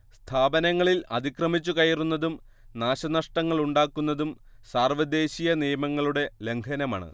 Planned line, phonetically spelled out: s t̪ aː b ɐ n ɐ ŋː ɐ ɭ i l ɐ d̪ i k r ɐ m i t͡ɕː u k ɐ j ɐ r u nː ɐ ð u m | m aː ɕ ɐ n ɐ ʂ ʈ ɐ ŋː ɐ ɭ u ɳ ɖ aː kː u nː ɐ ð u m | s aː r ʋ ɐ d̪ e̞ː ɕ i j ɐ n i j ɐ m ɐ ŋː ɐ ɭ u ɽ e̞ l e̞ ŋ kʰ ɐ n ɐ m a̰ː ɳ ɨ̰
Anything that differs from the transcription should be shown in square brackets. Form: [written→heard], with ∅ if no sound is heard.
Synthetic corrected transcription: s [t̪→t̪ʰ] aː b ɐ n ɐ ŋː ɐ ɭ i l ɐ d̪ i k r ɐ m i t͡ɕː u k ɐ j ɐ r u nː ɐ ð u m | [m→n] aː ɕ ɐ n ɐ ʂ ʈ ɐ ŋː ɐ ɭ u ɳ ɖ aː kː u nː ɐ ð u m | s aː r ʋ ɐ d̪ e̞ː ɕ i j ɐ n i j ɐ m ɐ ŋː ɐ ɭ u ɽ e̞ l e̞ ŋ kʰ ɐ n ɐ m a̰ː ɳ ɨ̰